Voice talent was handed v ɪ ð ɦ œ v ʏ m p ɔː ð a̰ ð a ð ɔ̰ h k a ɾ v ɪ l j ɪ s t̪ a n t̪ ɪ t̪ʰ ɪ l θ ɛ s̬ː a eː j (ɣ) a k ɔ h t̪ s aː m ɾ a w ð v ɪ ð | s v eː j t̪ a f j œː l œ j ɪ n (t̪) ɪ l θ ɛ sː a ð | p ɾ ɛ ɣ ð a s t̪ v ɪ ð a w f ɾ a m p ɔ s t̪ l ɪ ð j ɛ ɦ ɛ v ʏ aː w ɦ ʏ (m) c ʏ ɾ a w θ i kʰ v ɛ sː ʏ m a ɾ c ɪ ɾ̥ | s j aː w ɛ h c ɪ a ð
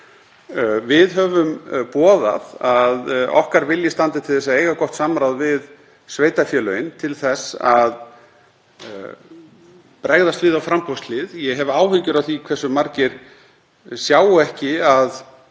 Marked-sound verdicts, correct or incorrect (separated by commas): correct, incorrect, incorrect